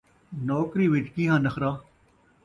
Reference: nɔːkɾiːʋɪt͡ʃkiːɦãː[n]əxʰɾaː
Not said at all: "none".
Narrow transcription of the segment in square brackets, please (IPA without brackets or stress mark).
n